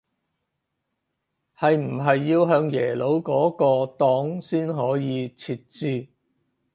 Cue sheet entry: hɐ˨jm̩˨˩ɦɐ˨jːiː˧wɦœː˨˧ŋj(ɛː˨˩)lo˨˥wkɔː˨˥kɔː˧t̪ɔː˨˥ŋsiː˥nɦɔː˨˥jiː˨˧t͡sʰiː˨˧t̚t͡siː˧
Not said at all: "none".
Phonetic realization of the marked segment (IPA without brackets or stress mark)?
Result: ɛː˨˩